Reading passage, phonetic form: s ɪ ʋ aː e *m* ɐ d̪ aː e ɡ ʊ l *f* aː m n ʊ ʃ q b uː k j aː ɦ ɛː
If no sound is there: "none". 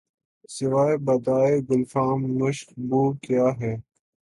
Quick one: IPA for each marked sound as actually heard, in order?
b, f

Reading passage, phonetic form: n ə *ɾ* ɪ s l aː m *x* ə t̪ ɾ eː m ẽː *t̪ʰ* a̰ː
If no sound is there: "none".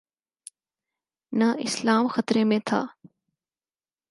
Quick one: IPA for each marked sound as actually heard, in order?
none, x, t̪ʰ

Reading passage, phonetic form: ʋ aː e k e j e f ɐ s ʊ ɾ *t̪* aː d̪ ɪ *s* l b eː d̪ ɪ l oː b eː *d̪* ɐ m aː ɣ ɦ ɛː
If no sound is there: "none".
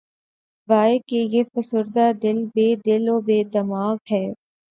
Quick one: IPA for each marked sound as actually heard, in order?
d̪, none, d̪

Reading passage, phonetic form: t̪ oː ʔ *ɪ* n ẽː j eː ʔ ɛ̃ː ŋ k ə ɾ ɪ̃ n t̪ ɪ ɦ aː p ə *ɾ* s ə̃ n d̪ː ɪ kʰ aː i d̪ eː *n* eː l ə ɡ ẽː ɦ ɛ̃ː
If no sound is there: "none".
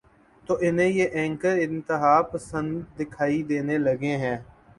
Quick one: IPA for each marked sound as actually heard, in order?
ɪ, none, n

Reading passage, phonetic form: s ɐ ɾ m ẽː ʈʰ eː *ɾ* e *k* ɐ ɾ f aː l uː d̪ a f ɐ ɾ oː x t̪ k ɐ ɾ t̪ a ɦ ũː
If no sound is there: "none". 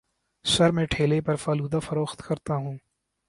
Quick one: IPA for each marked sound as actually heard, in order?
l, p

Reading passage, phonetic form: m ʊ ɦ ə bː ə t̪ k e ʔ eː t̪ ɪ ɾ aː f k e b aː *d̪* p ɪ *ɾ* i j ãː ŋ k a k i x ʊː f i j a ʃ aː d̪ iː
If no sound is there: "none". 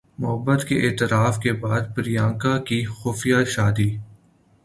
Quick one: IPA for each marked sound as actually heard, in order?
d̪, ɾ

